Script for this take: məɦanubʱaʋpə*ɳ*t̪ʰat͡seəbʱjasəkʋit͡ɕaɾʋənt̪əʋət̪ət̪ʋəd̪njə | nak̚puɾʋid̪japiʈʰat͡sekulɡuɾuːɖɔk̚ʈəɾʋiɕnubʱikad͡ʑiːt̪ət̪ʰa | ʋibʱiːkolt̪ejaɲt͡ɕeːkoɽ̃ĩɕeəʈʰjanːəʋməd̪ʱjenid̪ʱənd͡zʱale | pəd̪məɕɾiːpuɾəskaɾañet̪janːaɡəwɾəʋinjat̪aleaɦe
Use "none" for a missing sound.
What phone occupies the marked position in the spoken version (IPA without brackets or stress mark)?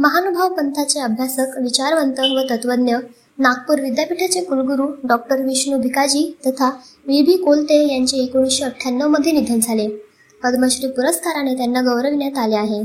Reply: n